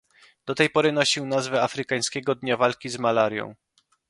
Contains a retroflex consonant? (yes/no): no